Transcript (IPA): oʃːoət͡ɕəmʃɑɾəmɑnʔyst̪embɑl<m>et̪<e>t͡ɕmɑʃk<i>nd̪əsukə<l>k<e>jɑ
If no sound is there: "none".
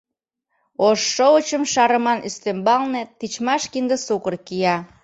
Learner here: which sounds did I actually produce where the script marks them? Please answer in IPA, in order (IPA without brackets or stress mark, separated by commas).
n, i, i, r, i